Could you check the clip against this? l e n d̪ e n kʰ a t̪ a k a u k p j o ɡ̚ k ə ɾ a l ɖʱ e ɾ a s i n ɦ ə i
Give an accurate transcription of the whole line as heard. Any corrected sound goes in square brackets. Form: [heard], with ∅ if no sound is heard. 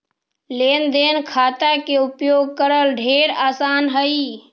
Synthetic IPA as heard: l e n d̪ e n kʰ a t̪ a k [e] u [∅] p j o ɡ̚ k ə ɾ [ə] l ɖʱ e ɾ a s [a] n ɦ ə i